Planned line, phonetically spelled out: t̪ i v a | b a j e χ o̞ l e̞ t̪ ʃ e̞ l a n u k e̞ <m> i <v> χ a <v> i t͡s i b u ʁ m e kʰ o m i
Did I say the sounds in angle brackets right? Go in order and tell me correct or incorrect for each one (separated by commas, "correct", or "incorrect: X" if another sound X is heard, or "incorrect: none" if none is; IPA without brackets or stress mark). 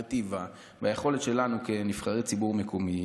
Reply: incorrect: n, incorrect: f, incorrect: ʁ